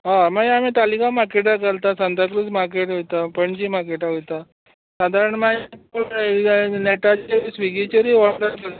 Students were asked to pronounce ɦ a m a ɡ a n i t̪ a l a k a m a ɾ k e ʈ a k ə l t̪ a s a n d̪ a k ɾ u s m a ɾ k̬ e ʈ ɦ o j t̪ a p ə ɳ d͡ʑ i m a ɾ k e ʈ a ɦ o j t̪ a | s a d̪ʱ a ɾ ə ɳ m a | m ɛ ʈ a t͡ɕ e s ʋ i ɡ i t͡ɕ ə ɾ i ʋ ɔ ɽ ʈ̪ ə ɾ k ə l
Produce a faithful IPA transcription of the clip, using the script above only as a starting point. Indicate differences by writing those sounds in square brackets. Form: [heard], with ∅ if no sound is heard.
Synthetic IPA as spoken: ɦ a m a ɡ a [m] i t̪ a l [i] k a m a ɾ k e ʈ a k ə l t̪ a s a n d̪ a k ɾ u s m a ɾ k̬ e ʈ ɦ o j t̪ a p ə ɳ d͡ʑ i m a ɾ k e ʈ a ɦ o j t̪ a | s a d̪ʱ a ɾ ə ɳ m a | [n] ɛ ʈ a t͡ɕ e s ʋ i ɡ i t͡ɕ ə ɾ i ʋ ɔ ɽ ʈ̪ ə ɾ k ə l